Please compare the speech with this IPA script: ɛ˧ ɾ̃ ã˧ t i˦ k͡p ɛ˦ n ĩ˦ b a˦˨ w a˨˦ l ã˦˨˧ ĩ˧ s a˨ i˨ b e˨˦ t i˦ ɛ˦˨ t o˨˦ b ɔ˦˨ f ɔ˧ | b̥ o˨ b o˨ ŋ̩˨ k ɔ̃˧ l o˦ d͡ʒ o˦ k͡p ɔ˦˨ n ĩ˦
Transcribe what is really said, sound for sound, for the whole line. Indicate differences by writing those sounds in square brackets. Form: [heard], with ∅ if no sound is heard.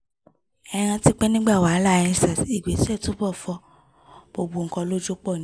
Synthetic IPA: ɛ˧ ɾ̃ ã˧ t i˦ k͡p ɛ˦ n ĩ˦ [ɡ͡b] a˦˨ w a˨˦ l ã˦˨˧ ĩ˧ s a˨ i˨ [ɡ͡b] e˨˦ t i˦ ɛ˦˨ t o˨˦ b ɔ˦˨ f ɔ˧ | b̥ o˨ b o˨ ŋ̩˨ k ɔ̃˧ l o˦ d͡ʒ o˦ k͡p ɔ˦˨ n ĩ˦